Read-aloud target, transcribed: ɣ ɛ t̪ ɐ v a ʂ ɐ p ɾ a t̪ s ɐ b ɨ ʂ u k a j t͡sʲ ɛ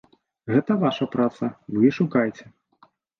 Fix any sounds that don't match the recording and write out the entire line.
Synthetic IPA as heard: ɣ ɛ t̪ ɐ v a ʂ ɐ p ɾ a t̪ s ɐ v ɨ ʂ u k a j t͡sʲ ɛ